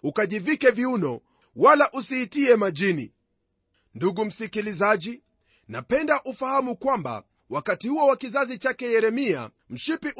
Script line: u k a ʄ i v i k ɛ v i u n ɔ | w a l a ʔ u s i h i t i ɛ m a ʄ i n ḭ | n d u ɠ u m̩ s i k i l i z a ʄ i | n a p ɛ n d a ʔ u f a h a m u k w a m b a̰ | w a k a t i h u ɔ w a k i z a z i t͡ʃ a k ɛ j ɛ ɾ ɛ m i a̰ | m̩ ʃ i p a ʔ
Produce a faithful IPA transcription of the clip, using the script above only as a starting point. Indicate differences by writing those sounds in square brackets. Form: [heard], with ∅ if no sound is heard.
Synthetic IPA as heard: u k a ʄ i v i k ɛ v i u n ɔ | w a l a ʔ u s i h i t i ɛ m a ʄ i n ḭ | n d u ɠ u m̩ s i k i l i z a ʄ i | n a p ɛ n d a ʔ u f a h a m u k w a m b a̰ | w a k a t i h u ɔ w a k i z a z i t͡ʃ a k ɛ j ɛ ɾ ɛ m i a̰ | m̩ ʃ i p [i] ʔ